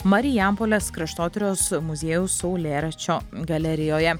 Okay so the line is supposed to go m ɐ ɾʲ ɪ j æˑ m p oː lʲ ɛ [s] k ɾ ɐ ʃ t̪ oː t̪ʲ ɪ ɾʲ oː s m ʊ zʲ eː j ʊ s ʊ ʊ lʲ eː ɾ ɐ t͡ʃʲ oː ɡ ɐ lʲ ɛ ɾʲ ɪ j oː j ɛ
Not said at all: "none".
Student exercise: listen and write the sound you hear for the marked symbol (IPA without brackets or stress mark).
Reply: s